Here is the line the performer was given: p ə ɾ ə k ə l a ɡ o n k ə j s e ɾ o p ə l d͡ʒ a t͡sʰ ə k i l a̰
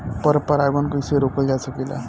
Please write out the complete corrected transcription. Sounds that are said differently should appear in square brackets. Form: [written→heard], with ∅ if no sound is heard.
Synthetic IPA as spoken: p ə ɾ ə [k→p] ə [l→ɾ] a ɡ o n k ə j s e ɾ o [p→k] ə l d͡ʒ a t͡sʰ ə k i l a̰